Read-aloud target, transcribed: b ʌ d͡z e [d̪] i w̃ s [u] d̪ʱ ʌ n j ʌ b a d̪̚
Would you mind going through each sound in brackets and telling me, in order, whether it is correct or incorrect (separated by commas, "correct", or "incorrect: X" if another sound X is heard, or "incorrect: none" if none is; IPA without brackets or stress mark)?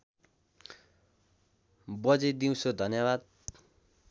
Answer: correct, incorrect: o